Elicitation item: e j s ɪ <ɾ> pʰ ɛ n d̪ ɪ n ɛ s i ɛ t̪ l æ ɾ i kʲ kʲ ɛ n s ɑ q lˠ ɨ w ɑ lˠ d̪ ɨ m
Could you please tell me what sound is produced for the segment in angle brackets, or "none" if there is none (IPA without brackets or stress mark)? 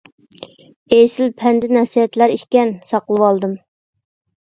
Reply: l